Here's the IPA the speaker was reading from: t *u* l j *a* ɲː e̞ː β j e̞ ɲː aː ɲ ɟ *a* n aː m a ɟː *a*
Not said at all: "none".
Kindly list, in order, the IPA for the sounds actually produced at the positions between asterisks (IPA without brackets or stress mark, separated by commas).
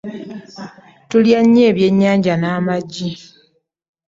u, a, a, i